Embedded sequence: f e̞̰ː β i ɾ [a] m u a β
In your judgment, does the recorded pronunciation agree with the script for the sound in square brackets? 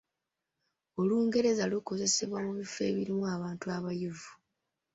no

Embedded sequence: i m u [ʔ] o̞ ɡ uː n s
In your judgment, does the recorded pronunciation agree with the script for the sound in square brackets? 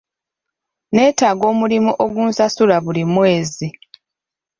yes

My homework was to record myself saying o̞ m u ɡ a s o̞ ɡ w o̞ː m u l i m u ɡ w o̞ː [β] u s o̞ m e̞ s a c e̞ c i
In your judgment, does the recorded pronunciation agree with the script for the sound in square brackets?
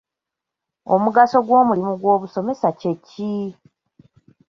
yes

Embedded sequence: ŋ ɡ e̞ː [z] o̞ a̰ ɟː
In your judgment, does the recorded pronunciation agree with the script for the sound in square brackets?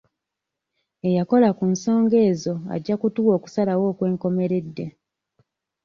yes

